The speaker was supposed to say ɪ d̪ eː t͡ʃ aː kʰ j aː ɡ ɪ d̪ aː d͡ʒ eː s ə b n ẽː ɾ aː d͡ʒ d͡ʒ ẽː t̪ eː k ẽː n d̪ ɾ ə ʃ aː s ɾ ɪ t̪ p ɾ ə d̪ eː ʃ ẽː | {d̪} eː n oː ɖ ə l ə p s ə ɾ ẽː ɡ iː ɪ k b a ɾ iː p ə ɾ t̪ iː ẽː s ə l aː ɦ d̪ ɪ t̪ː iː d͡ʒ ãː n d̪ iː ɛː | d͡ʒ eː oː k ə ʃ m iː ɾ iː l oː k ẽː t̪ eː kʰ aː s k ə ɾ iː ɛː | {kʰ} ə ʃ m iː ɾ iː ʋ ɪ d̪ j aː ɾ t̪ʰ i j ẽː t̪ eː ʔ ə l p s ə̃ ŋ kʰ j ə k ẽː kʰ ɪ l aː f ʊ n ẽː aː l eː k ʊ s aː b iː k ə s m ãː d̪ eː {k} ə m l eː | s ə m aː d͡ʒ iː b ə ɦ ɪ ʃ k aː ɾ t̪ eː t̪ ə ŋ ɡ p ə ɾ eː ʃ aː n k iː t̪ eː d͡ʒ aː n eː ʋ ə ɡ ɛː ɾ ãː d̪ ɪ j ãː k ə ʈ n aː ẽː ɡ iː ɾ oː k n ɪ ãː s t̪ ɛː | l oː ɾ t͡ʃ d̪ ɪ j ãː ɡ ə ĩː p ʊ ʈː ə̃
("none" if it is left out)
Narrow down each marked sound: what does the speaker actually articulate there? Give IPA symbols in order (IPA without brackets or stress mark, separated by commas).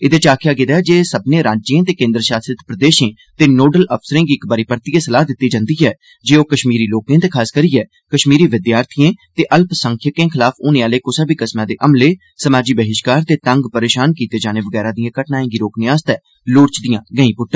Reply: t̪, k, ʔ